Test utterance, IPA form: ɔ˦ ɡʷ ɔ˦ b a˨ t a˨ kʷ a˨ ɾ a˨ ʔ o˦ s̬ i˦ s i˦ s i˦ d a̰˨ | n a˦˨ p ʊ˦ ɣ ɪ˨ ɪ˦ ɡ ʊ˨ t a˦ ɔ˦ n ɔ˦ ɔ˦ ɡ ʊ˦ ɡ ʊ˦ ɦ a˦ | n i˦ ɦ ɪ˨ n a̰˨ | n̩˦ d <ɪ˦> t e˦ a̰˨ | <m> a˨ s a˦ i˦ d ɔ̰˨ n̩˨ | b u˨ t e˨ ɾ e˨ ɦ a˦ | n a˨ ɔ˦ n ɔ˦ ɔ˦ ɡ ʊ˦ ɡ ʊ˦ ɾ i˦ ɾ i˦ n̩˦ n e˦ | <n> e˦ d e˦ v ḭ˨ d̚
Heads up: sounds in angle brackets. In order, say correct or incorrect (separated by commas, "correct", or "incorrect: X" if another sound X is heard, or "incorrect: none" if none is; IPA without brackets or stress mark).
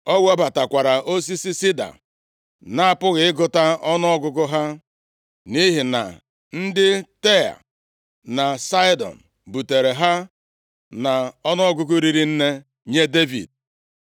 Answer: correct, incorrect: n, incorrect: ɲ